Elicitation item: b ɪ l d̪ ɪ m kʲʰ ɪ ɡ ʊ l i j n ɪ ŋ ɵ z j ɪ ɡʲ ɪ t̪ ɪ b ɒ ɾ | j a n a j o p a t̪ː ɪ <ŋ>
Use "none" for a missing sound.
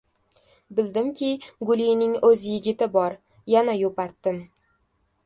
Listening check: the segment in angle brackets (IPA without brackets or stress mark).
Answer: m